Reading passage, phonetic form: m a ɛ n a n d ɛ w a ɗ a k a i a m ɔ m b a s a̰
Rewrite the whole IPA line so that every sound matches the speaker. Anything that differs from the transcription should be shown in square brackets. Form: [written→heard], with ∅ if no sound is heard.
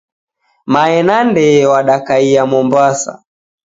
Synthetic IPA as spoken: m a ɛ n a n d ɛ w a ɗ a k a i a m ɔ m b a s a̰